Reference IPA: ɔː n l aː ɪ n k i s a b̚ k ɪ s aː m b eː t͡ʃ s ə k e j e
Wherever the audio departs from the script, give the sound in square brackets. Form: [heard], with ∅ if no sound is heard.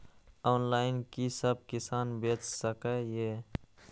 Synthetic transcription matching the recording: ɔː n l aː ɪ n k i s [ə] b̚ k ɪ s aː [n] b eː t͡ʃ s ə k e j e